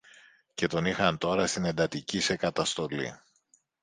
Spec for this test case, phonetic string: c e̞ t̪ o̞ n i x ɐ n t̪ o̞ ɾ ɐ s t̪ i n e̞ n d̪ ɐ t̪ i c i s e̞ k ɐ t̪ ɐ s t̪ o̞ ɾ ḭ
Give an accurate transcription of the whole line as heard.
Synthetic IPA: c e̞ t̪ o̞ n i x ɐ n t̪ o̞ ɾ ɐ s t̪ i n e̞ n d̪ ɐ t̪ i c i s e̞ k ɐ t̪ ɐ s t̪ o̞ l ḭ